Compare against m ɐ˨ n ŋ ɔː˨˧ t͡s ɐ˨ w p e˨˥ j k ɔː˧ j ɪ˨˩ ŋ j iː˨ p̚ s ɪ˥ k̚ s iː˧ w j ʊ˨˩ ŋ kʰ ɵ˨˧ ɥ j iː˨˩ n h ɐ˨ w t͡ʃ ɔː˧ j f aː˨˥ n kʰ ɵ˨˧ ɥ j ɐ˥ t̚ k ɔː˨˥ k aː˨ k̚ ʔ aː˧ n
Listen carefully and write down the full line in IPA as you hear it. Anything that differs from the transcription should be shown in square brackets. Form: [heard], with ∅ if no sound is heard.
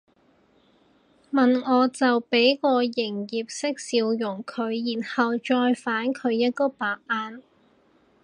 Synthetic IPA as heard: m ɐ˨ n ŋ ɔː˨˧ t͡s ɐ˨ w p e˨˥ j k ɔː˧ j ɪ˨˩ ŋ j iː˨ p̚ s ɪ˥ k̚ s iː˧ w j ʊ˨˩ ŋ kʰ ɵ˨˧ ɥ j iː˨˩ n h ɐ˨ w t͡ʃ ɔː˧ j f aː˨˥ n kʰ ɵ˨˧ ɥ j ɐ˥ t̚ k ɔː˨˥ [p] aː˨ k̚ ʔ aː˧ n